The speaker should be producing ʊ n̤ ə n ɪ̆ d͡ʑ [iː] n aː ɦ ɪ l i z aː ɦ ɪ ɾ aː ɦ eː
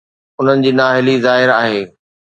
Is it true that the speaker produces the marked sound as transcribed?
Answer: yes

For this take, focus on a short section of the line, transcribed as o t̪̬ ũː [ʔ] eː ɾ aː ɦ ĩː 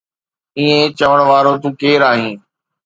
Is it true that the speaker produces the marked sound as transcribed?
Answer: no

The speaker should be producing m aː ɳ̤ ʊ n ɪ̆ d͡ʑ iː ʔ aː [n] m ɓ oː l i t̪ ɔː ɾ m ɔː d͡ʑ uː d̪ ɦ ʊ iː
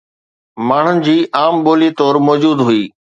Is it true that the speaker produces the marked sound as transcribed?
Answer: no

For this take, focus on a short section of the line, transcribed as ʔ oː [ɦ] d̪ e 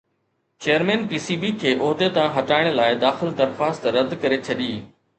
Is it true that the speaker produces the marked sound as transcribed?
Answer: yes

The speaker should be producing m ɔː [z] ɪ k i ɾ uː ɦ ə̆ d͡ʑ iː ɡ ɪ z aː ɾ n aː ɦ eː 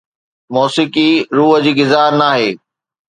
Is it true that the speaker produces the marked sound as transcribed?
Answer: no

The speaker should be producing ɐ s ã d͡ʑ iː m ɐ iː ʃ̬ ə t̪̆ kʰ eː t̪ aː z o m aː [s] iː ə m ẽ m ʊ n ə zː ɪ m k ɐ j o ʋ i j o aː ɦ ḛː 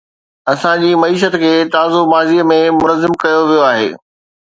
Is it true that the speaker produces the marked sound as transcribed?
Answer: no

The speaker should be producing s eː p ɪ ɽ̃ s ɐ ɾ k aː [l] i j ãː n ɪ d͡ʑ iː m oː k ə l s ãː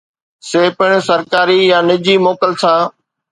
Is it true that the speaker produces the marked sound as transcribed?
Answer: no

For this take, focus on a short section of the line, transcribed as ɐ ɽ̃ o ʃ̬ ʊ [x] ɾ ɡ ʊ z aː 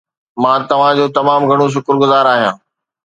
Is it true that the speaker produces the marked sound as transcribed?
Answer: no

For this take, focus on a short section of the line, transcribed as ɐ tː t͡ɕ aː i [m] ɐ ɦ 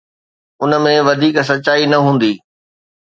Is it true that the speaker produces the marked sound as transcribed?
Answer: no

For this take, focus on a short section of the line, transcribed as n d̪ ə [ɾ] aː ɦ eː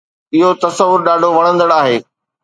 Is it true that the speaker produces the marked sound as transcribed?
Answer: no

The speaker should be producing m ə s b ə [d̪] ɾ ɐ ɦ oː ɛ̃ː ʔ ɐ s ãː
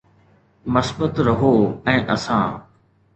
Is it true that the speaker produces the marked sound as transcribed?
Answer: no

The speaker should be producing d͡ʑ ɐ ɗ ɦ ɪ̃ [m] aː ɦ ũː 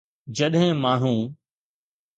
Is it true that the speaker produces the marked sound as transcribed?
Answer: yes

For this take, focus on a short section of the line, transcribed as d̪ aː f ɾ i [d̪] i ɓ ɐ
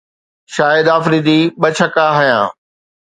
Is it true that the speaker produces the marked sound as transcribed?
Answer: yes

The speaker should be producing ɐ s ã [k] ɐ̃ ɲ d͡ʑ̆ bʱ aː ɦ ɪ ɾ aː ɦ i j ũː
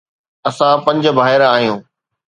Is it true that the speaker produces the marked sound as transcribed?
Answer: no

